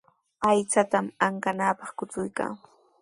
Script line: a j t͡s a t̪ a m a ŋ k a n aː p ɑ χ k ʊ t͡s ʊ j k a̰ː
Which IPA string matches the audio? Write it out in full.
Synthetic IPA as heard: a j t͡s a t̪ a m a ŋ k a n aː p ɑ χ k ʊ t͡s ʊ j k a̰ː

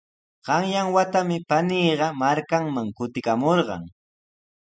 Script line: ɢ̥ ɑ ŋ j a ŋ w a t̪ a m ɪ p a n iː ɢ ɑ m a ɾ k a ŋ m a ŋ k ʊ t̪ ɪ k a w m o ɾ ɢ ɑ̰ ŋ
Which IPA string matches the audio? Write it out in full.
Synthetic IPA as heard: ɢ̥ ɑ ŋ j a ŋ w a t̪ a m ɪ p a n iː ɢ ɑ m a ɾ k a ŋ m a ŋ k ʊ t̪ ɪ k a m o ɾ ɢ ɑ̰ ŋ

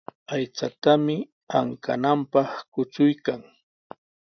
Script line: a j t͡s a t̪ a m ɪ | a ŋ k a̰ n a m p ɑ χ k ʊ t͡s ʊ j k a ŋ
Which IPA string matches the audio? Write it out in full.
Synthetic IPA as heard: a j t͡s a t̪ a m ɪ | a ŋ k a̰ n a m p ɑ χ k ʊ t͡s ʊ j k a ŋ

